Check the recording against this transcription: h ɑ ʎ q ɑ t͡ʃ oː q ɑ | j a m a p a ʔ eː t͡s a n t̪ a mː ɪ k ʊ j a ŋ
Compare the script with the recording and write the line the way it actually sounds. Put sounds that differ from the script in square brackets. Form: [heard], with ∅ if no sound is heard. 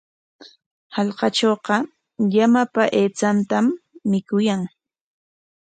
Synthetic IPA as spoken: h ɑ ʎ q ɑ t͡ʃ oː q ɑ | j a m a p a ʔ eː t͡s a n t̪ a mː ɪ k ʊ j a ŋ